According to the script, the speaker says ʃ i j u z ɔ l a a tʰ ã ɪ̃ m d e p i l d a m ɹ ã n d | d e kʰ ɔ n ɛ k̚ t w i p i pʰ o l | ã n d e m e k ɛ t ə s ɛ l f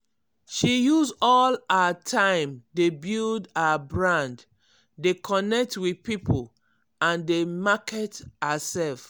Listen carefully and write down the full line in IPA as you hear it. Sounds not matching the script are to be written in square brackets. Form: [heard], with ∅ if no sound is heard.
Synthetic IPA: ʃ i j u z ɔ l a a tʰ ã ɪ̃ m d e [b] i l d a [b] ɹ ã n d | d e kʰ ɔ n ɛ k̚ t w i p i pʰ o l | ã n d e m [a] k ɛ t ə s ɛ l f